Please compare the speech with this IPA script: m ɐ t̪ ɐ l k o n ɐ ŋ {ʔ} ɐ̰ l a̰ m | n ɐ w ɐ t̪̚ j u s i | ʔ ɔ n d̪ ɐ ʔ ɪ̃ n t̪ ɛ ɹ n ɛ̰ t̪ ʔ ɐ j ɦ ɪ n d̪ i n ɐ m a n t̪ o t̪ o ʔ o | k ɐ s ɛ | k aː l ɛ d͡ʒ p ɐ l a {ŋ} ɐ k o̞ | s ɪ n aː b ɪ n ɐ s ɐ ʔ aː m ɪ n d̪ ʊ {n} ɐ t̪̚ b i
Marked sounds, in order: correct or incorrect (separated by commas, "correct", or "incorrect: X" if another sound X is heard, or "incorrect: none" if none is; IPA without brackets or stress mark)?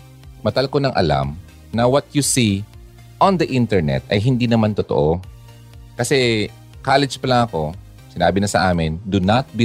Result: correct, correct, correct